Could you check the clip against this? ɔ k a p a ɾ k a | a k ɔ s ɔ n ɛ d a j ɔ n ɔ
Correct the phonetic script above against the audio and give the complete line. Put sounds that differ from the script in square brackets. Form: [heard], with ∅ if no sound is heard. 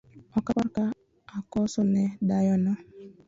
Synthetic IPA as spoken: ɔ k a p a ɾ k a | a k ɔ s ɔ n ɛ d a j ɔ n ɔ